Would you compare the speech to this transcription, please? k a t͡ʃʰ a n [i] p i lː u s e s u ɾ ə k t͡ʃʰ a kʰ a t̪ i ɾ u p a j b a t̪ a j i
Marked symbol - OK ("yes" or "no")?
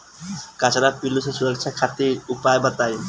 no